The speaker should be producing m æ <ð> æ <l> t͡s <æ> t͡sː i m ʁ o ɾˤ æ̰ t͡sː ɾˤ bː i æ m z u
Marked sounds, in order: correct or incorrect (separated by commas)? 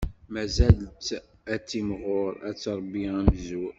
incorrect, correct, correct